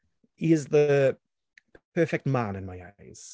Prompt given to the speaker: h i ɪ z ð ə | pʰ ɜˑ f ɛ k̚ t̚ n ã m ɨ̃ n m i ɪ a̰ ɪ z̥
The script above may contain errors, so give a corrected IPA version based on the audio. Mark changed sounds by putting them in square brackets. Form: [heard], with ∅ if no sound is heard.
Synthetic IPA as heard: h i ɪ z ð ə | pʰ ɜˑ f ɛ k̚ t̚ [m] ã [n] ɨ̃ n m [a] ɪ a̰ ɪ z̥